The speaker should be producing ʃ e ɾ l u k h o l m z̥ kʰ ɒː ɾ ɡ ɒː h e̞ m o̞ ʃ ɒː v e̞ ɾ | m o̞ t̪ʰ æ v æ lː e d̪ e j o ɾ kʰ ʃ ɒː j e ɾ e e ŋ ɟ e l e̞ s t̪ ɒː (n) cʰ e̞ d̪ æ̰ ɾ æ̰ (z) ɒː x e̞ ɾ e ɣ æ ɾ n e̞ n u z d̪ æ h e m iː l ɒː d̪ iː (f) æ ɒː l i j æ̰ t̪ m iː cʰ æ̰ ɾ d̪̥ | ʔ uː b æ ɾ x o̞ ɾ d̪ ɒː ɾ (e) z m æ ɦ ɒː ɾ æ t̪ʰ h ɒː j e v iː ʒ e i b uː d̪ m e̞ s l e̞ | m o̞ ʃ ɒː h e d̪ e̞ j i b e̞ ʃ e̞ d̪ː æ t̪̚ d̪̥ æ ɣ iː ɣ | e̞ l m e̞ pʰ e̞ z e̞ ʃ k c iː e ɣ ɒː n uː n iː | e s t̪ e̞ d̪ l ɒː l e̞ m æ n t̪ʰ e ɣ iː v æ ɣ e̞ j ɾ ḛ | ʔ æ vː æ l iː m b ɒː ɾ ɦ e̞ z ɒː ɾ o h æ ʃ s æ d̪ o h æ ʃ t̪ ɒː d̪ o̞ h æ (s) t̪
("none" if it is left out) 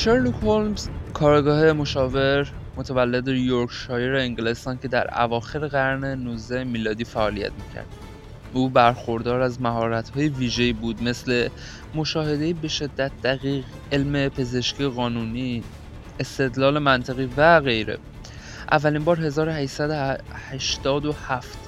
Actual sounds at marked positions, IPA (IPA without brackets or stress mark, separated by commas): n, v, f, æ, f